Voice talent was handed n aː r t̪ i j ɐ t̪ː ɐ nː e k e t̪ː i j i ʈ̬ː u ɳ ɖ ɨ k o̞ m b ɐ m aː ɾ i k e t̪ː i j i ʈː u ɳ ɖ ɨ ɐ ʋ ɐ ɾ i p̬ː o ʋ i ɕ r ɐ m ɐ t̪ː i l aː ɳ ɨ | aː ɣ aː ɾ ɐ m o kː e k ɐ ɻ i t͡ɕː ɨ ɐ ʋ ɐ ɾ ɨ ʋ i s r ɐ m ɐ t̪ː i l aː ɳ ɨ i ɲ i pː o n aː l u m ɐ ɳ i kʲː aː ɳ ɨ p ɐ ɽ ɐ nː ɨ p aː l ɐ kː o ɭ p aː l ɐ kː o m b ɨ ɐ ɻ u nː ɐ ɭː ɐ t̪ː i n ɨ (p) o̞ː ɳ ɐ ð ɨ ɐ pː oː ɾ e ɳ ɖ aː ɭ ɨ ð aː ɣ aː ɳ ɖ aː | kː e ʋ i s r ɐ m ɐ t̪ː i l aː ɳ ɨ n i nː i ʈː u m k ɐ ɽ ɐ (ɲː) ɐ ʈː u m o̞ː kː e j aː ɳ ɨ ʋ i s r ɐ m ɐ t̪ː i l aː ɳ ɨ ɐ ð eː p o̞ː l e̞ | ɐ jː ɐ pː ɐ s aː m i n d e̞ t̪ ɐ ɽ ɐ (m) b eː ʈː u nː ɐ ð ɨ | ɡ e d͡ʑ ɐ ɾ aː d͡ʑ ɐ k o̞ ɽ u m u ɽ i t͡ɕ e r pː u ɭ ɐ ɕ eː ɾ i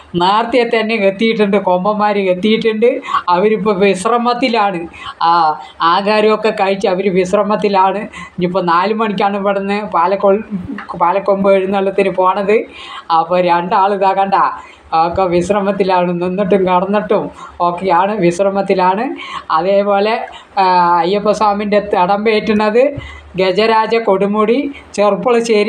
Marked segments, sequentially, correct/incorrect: correct, incorrect: nː, correct

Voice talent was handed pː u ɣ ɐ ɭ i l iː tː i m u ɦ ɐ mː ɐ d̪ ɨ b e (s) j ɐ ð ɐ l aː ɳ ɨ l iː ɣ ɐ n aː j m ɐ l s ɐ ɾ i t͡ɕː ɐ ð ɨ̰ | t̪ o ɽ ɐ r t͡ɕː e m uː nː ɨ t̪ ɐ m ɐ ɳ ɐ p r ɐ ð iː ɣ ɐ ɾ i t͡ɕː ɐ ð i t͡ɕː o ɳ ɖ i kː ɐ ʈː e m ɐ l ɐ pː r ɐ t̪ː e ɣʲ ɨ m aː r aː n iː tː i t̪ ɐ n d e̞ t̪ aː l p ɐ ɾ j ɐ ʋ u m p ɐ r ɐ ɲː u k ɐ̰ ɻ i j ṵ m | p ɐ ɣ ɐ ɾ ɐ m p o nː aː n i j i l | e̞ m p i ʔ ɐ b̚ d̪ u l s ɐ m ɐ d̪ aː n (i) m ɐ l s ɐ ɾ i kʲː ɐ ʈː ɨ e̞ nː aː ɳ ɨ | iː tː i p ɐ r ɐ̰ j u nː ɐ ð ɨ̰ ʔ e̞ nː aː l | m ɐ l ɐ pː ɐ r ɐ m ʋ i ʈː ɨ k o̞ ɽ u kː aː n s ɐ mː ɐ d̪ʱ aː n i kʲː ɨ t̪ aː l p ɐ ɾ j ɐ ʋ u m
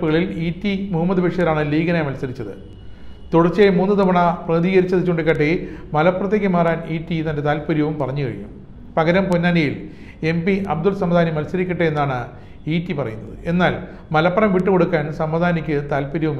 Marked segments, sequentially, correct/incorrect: incorrect: ʂ, correct

